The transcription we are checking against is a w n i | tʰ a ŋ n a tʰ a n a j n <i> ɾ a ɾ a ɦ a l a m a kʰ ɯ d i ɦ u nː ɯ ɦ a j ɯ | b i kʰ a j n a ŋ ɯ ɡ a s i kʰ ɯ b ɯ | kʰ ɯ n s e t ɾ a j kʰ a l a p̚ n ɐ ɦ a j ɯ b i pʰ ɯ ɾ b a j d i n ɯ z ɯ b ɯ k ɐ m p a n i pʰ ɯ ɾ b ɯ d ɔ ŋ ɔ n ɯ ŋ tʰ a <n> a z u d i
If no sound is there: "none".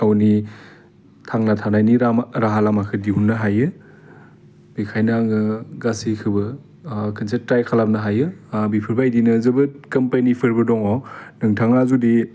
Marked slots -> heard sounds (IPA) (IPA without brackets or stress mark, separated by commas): i, ŋ